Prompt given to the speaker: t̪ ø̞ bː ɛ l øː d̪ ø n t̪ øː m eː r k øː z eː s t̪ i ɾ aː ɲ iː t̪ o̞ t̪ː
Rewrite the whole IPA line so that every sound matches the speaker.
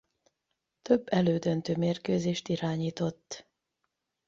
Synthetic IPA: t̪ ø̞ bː ɛ l øː d̪ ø n t̪ øː m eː r k øː z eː ʃ t̪ i ɾ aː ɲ iː t̪ o̞ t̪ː